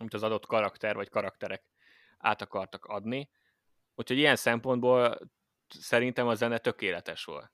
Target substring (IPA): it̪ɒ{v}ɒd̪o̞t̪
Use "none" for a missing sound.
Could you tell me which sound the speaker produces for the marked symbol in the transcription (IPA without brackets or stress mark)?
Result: z